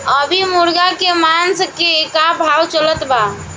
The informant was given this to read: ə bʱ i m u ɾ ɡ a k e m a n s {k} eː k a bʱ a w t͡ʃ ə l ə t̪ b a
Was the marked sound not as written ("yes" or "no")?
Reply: no